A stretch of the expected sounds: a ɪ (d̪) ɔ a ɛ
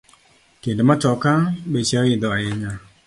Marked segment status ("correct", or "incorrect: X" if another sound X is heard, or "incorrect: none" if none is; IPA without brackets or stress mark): correct